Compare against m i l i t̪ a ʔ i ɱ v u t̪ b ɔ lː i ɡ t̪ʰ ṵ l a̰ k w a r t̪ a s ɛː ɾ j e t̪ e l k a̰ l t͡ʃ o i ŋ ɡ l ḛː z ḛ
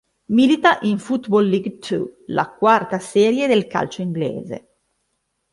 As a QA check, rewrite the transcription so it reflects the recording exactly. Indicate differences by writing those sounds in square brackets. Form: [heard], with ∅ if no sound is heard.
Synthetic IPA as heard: m i l i t̪ a ʔ i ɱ [f] u t̪ b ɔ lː i ɡ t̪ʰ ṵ l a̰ k w a r t̪ a s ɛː ɾ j e [d̪] e l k a̰ l t͡ʃ o i ŋ ɡ l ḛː z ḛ